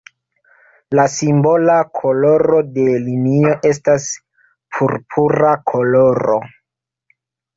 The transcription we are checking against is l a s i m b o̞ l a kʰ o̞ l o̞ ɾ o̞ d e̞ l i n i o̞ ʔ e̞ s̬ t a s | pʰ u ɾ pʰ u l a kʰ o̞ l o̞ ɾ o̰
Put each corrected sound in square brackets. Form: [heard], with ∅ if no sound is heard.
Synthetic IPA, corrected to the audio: l a s i m b o̞ l a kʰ o̞ l o̞ ɾ o̞ d e̞ l i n i o̞ ʔ e̞ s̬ t a s | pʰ u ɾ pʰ u [ɾ] a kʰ o̞ l o̞ ɾ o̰

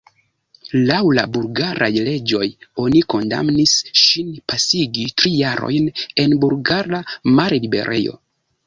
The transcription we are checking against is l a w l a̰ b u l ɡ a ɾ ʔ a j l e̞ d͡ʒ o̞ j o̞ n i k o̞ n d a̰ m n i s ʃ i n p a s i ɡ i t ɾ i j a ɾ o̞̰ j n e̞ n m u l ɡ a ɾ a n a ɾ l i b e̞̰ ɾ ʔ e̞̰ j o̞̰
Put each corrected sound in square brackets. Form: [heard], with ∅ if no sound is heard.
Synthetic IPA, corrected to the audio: l a w l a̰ b u l ɡ a ɾ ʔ a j l e̞ d͡ʒ o̞ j o̞ n i k o̞ n d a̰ m n i s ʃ i n p a s i ɡ i t ɾ i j a ɾ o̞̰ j n e̞ n [b] u l ɡ a ɾ a [m] a ɾ l i b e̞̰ ɾ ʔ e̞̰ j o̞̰

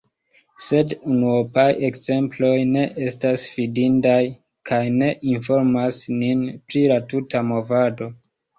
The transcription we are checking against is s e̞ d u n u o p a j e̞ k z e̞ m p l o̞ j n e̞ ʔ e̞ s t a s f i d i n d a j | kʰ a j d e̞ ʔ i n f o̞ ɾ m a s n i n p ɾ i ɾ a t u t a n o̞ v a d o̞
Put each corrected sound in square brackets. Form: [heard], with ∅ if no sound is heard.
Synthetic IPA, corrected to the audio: s e̞ d u n u o p a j e̞ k z e̞ m p l o̞ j n e̞ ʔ e̞ s t a s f i d i n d a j | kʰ a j [n] e̞ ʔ i n f o̞ ɾ m a s n i n p ɾ i [l] a t u t a [m] o̞ v a d o̞

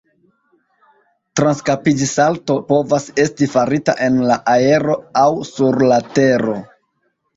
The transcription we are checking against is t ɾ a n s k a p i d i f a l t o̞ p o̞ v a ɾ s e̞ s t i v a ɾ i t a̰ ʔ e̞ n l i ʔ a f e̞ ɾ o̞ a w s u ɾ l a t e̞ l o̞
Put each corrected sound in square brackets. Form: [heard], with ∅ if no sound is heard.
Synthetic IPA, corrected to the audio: t ɾ a n s k a p i [d͡ʒ] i [s] a l t o̞ p o̞ v a [∅] s e̞ s t i [f] a ɾ i t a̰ ʔ e̞ n l [a] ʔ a [∅] e̞ ɾ o̞ a w s u ɾ l a t e̞ [ɾ] o̞

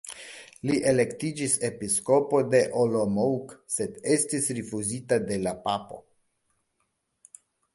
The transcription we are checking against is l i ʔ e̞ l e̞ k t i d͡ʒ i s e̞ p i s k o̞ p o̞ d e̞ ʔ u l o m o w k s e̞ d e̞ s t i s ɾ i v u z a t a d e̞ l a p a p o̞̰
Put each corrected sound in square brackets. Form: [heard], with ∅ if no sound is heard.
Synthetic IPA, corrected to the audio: l i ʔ e̞ l e̞ k t i d͡ʒ i s e̞ p i s k o̞ p o̞ d e̞ ʔ [o] l o m o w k s e̞ d e̞ s t i s ɾ i [f] u z [i] t a d e̞ l a p a p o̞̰

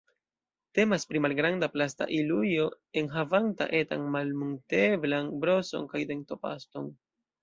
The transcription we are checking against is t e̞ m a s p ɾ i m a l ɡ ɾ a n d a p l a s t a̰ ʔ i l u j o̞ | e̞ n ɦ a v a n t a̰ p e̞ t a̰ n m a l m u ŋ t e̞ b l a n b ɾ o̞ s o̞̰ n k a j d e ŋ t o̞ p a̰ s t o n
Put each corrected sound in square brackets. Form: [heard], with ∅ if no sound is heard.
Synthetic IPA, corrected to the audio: t e̞ m a s p ɾ i m a l ɡ ɾ a n d a p l a s t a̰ ʔ i l u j o̞ | e̞ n ɦ a v a n t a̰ [ʔ] e̞ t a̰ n m a l m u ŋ t e̞ b l a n b ɾ o̞ s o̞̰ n k a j d e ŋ t o̞ p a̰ s t o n

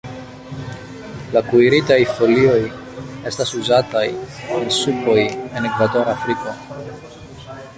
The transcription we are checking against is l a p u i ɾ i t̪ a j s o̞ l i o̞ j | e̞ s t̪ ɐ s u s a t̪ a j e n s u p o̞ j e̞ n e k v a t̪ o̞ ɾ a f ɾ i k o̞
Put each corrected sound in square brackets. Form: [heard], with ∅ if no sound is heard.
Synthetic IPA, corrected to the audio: l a [k] u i ɾ i t̪ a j [f] o̞ l i o̞ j | e̞ s t̪ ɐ s u [z] a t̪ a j e n s u p o̞ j e̞ n e k v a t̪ o̞ ɾ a f ɾ i k o̞

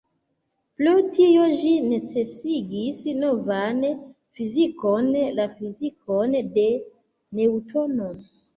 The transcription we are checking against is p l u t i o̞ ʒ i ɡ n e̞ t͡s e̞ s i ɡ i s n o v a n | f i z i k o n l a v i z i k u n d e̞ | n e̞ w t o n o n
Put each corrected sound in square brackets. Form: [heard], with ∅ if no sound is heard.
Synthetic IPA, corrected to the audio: p l u t i o̞ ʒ i [∅] n e̞ t͡s e̞ s i ɡ i s n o v a n | f i z i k o n l a [f] i z i k [o] n d e̞ | n e̞ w t o n o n

